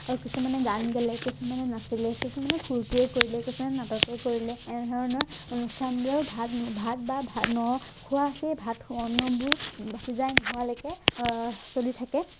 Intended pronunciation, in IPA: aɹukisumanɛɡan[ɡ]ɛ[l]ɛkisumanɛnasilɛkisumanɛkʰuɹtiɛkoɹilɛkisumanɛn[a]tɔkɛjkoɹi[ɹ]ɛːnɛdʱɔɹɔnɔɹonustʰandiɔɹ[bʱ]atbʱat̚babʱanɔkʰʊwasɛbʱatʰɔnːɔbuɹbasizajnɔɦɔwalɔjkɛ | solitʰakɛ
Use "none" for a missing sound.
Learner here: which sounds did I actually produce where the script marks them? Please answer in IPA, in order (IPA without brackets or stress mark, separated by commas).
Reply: ɡ, l, a, l, bʱ